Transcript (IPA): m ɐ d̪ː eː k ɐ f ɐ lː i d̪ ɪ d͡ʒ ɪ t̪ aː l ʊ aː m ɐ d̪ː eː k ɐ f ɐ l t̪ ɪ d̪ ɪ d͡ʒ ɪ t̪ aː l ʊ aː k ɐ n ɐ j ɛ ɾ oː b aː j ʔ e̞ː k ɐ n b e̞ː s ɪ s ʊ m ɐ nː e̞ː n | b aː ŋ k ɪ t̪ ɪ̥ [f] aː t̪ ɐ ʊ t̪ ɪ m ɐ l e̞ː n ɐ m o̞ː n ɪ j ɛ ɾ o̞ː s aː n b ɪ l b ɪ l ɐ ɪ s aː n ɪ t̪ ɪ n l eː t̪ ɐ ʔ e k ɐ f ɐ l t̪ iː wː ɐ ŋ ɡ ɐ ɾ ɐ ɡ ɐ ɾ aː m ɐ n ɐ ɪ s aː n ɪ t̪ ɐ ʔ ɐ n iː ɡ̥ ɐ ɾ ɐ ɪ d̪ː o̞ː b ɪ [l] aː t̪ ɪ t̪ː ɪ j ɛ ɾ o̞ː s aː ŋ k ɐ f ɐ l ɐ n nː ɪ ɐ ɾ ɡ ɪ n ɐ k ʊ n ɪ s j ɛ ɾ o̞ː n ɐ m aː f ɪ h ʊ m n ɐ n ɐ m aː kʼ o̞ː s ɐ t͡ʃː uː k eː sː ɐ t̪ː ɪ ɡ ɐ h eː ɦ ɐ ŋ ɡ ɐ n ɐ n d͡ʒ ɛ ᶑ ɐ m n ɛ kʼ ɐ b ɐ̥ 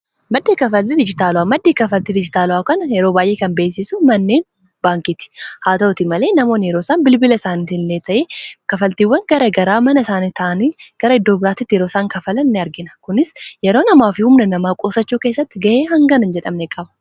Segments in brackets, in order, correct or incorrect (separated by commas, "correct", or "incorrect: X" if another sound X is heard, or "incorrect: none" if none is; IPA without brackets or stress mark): incorrect: h, incorrect: ɾ